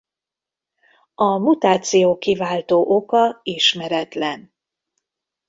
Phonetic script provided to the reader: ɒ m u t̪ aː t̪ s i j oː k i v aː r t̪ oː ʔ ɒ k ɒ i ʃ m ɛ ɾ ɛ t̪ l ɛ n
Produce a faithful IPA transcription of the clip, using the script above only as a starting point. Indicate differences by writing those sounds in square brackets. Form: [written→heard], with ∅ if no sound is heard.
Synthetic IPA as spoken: ɒ m u t̪ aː t̪ s i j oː k i v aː [r→l] t̪ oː ʔ [ɒ→o] k ɒ i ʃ m ɛ ɾ ɛ t̪ l ɛ n